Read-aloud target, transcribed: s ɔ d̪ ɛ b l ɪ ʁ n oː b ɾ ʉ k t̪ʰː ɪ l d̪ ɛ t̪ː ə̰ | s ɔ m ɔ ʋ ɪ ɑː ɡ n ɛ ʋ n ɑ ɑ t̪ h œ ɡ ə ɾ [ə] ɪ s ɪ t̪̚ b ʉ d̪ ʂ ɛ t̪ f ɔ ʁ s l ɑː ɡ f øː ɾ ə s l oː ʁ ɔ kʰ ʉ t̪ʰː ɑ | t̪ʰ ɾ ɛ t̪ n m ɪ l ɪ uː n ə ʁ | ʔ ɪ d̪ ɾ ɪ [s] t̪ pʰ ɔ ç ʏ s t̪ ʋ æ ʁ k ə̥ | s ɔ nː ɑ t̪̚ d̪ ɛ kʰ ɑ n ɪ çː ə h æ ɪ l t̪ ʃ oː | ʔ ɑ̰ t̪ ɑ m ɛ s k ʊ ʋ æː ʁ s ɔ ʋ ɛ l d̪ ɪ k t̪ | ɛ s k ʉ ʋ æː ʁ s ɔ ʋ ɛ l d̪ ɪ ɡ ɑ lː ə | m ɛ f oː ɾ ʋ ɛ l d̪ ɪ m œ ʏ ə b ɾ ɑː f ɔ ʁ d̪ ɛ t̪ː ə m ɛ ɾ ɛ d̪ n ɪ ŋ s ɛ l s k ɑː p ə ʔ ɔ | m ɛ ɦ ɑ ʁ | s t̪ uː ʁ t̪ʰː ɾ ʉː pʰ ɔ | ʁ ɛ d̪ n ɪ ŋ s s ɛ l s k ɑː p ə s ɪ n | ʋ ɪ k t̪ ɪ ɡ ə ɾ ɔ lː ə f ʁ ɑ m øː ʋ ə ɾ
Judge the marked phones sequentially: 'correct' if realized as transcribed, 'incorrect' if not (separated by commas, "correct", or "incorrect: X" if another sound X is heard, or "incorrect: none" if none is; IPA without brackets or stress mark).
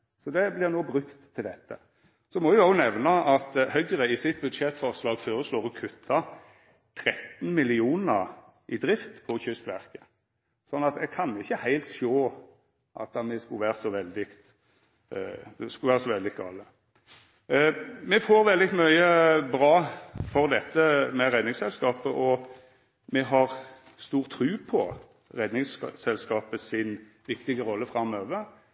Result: correct, incorrect: f